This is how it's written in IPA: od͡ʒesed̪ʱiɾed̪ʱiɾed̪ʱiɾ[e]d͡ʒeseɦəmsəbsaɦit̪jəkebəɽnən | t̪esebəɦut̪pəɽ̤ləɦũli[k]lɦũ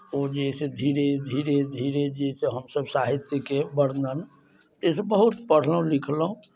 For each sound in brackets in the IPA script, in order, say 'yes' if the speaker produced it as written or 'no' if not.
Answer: yes, no

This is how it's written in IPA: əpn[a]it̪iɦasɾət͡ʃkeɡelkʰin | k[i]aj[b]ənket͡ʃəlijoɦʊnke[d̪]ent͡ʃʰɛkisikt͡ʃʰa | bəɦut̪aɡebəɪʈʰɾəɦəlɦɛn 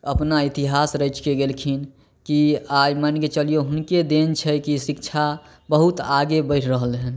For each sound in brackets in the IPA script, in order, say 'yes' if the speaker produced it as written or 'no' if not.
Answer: yes, yes, no, yes

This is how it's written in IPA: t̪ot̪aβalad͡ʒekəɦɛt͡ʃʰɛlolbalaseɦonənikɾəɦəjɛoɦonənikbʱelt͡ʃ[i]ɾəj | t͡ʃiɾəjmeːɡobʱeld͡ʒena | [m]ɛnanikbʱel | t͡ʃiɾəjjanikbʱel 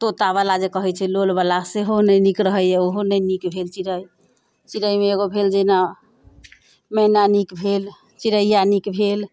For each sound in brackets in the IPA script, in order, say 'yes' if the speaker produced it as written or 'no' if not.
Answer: yes, yes

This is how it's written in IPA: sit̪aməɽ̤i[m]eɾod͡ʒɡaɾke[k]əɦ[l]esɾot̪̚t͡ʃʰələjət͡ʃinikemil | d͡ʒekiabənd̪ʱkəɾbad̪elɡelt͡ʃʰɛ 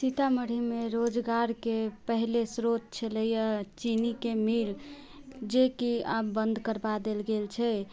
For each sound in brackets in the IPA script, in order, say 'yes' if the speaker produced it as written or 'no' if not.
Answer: yes, no, yes

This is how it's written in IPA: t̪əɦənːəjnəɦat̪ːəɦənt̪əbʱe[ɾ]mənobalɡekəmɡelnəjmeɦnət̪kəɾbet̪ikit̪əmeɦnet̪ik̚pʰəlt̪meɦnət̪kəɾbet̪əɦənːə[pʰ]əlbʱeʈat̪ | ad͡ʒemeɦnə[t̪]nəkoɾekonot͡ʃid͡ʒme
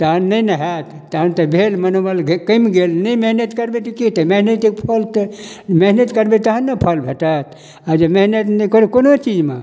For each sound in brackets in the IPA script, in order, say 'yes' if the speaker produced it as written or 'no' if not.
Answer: no, yes, yes

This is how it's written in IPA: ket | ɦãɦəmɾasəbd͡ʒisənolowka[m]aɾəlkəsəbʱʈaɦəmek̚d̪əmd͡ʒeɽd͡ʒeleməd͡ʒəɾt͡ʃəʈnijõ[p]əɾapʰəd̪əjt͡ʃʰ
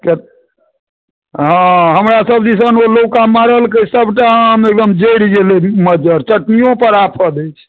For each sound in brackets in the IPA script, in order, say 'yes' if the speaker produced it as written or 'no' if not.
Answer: yes, yes

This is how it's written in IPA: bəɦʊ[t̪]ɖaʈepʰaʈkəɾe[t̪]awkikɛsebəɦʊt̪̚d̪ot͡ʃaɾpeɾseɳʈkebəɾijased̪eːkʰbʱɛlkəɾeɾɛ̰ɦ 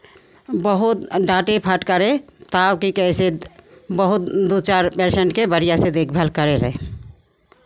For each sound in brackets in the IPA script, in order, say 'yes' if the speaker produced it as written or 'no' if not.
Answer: yes, yes

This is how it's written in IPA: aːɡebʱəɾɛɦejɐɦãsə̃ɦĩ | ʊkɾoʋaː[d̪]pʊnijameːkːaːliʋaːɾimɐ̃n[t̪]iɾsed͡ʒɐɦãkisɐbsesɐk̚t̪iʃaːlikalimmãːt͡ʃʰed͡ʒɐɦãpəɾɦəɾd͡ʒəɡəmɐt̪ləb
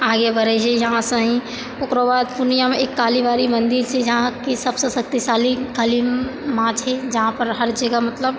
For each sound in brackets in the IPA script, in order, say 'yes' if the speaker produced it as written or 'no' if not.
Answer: yes, no

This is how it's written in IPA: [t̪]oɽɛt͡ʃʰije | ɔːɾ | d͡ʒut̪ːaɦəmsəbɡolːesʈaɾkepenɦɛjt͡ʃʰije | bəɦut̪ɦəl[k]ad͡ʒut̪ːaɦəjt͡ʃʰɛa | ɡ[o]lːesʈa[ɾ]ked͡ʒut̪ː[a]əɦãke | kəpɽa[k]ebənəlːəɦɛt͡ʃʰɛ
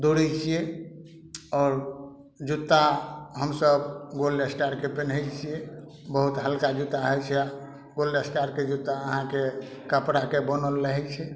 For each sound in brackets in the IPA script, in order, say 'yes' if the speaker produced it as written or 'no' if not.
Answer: no, yes, yes, yes, yes, yes

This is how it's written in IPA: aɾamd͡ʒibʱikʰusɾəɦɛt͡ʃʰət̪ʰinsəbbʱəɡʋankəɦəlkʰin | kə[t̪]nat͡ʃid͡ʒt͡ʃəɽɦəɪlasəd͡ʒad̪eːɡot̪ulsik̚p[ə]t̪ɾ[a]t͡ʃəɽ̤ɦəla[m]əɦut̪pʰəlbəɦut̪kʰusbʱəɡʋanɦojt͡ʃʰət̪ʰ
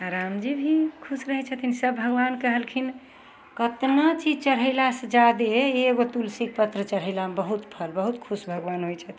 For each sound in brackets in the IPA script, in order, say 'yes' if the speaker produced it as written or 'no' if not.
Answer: yes, yes, no, no

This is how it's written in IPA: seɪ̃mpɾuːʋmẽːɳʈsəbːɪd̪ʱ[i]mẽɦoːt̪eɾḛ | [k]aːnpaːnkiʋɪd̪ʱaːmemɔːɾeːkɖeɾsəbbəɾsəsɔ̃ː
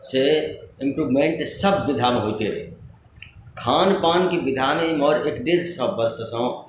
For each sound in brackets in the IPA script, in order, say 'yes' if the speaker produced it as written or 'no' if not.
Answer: no, no

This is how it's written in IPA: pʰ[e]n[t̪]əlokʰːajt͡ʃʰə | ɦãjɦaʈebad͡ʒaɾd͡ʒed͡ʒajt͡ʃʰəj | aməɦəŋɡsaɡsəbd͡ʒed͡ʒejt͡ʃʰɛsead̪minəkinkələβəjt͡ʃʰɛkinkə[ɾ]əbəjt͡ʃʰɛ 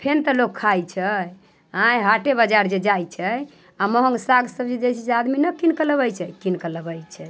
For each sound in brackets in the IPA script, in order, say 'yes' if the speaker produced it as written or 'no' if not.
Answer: yes, yes, no

